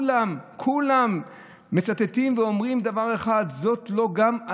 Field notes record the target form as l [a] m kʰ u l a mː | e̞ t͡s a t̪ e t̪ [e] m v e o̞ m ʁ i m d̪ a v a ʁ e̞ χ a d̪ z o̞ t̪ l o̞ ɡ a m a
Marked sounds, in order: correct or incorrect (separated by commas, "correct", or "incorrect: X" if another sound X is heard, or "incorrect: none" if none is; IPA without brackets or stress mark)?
correct, incorrect: i